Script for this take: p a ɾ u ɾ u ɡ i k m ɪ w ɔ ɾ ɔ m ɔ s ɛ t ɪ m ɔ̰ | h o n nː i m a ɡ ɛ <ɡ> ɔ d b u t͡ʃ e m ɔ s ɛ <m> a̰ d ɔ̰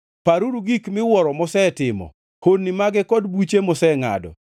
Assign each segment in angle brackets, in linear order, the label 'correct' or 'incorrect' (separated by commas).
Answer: incorrect, incorrect